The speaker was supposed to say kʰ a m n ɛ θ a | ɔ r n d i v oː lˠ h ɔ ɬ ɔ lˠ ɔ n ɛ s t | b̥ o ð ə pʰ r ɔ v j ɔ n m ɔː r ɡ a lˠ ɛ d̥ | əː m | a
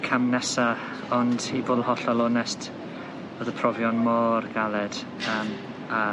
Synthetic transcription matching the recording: kʰ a m n ɛ s a | ɔ n d i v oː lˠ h ɔ ɬ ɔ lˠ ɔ n ɛ s t | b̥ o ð ə pʰ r ɔ v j ɔ n m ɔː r ɡ a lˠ ɛ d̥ | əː m | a